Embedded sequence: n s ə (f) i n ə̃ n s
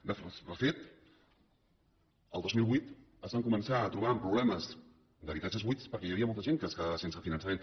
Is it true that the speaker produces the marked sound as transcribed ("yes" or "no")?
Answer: yes